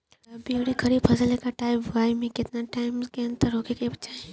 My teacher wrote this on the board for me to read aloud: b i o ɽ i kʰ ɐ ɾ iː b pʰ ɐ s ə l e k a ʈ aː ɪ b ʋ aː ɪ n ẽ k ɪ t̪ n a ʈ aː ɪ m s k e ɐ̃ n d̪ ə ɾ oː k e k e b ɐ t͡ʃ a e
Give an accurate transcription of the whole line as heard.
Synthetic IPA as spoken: b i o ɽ i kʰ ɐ ɾ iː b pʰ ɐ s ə l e k a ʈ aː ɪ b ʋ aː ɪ m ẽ k ɪ t̪ n a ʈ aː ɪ m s k e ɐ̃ n t̪ ə ɾ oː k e k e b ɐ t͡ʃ a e